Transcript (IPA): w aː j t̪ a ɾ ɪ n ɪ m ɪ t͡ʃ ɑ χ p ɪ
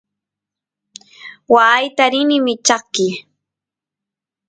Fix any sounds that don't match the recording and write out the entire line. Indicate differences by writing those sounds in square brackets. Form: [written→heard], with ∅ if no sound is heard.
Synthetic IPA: w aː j t̪ a ɾ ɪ n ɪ m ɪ t͡ʃ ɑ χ [p→k] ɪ